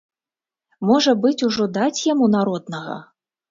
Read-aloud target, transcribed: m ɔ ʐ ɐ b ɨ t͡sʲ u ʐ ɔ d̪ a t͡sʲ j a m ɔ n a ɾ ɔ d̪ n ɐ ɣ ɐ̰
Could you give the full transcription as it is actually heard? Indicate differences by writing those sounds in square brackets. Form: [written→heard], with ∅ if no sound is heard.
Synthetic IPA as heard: m ɔ ʐ ɐ b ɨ t͡sʲ u ʐ ɔ d̪ a t͡sʲ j a m [ɔ→u] n a ɾ ɔ d̪ n ɐ ɣ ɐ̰